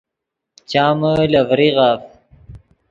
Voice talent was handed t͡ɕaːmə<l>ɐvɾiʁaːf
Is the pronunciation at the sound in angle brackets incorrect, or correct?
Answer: correct